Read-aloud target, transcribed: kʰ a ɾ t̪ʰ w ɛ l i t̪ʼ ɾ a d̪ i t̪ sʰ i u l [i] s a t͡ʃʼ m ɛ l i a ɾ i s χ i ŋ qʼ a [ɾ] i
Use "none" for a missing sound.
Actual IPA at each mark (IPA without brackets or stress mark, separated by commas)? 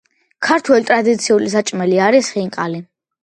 i, l